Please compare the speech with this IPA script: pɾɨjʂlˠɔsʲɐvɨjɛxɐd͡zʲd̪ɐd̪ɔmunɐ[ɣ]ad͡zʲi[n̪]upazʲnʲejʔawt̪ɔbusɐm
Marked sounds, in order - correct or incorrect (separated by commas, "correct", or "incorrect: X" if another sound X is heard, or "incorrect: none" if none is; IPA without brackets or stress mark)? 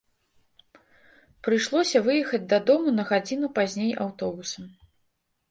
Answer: correct, correct